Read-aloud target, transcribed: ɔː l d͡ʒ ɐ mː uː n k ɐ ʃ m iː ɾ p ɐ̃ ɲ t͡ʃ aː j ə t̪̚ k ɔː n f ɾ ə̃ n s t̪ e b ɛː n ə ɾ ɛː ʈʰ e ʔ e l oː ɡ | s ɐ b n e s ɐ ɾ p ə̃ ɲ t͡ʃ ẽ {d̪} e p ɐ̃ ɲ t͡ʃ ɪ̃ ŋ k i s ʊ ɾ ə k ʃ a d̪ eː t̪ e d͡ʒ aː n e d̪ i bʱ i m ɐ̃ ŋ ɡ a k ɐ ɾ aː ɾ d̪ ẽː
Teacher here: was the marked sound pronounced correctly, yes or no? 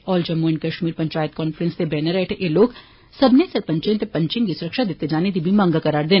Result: no